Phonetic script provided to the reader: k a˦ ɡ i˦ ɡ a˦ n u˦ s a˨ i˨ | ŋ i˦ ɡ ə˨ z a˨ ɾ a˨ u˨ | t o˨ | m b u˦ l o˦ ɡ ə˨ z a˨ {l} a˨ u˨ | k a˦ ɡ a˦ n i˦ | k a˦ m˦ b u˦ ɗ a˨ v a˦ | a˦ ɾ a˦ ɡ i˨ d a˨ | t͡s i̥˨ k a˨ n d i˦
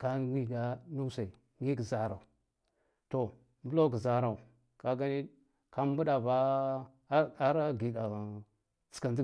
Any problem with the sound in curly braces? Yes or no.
yes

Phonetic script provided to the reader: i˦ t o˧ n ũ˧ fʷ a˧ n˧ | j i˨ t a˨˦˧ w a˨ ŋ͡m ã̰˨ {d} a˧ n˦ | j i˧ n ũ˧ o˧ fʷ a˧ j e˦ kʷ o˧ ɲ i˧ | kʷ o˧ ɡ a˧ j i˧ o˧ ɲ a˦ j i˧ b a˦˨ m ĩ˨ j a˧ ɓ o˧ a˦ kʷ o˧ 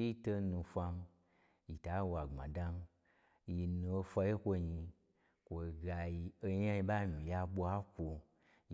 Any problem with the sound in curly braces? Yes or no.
no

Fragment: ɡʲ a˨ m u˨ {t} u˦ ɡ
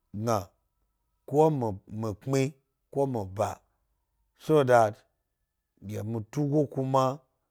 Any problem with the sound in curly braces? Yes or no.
no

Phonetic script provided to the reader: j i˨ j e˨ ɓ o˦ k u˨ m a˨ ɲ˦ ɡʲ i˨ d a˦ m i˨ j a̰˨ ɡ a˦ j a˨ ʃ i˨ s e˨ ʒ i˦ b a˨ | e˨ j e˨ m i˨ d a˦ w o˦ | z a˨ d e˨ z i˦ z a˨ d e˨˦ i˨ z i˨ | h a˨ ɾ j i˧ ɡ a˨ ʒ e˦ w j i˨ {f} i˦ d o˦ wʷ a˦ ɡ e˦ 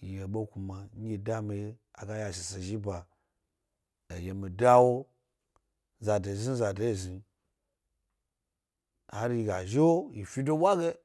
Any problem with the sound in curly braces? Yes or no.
no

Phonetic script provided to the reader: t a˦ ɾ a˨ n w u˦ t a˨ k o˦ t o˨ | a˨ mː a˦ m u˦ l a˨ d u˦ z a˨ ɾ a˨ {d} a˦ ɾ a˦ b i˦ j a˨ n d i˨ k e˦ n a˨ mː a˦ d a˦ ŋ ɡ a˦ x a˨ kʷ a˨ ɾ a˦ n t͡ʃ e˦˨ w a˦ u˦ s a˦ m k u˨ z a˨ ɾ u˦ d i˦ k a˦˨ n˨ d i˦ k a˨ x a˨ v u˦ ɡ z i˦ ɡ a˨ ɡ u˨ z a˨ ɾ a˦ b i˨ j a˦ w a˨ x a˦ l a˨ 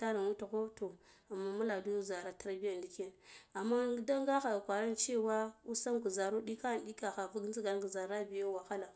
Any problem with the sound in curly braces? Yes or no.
yes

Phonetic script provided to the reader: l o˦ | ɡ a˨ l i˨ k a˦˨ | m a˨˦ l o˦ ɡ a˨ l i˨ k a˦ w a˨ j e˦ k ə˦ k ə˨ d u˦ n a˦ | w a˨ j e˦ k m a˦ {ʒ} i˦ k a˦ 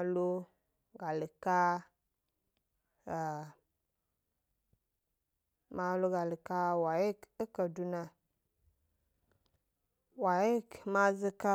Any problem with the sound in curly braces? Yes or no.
yes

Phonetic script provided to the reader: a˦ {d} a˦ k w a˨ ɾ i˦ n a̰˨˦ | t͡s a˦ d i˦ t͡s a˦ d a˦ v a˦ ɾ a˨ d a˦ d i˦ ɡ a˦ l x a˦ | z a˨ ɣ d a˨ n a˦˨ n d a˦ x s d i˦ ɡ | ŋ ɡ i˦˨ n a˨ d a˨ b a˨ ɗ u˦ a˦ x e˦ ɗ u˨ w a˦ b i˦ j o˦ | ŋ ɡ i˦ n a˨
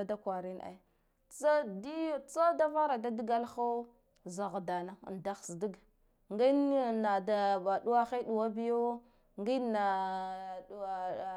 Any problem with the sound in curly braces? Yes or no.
no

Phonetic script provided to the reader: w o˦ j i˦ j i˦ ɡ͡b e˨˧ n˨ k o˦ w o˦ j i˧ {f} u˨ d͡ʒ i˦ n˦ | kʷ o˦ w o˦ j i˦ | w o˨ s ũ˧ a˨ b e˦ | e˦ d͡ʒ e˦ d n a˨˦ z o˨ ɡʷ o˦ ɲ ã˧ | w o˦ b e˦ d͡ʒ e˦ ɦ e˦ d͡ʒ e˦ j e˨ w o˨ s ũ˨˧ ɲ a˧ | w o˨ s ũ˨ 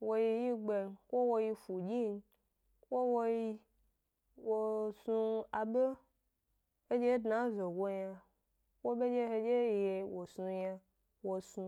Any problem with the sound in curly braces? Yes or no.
no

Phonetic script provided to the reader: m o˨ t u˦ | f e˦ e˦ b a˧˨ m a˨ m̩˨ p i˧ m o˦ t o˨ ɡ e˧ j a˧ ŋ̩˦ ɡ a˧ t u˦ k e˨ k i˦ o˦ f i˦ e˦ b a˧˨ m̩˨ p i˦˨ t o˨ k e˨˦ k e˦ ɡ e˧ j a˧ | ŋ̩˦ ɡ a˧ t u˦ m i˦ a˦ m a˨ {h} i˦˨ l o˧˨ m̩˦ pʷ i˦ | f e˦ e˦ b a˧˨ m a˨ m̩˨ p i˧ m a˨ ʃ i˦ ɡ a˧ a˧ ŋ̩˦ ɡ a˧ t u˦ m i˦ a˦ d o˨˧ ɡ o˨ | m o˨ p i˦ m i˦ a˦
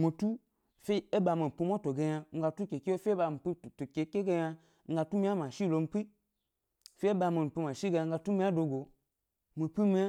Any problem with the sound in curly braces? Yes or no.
yes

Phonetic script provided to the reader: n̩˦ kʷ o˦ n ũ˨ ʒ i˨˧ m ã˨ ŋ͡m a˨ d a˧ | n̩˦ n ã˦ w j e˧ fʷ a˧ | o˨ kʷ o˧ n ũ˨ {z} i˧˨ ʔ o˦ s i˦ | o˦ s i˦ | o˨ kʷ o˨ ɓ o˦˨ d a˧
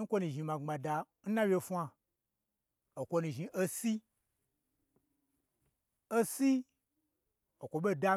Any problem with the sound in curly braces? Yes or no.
yes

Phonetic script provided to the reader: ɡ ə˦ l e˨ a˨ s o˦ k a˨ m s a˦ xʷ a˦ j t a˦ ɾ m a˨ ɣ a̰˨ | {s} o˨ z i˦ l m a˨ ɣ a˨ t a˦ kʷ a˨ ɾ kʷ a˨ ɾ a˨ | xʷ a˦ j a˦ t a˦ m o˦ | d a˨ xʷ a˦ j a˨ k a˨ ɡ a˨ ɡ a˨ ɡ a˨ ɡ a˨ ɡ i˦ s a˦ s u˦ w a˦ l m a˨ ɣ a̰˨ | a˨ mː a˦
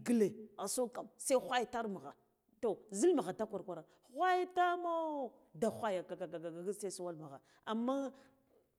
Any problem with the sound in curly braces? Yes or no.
yes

